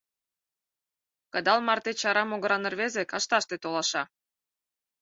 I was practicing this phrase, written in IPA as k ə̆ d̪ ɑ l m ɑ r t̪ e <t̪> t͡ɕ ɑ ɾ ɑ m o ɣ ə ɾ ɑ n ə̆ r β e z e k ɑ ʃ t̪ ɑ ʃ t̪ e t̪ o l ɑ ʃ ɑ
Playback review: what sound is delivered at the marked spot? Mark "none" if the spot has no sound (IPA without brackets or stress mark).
none